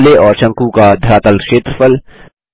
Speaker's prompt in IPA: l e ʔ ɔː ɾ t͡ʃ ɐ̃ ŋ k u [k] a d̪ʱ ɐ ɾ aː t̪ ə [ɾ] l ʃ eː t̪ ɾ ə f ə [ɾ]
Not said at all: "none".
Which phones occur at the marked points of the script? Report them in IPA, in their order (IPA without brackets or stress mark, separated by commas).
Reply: k, none, l